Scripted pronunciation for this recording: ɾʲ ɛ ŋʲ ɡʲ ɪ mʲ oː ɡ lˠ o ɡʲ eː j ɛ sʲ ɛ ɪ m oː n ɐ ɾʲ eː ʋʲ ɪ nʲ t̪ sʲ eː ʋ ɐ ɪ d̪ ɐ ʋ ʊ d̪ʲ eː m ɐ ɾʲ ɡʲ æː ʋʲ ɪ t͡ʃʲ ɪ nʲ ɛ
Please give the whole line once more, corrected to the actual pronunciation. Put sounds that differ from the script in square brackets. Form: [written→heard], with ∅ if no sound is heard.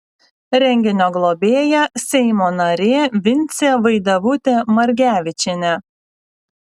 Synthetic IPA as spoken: ɾʲ ɛ ŋʲ ɡʲ ɪ [mʲ→nʲ] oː ɡ lˠ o [ɡʲ→bʲ] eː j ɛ sʲ ɛ ɪ m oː n ɐ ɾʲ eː ʋʲ ɪ nʲ t̪ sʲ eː ʋ ɐ ɪ d̪ ɐ ʋ ʊ [d̪ʲ→t̪ʲ] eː m ɐ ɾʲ ɡʲ æː ʋʲ ɪ t͡ʃʲ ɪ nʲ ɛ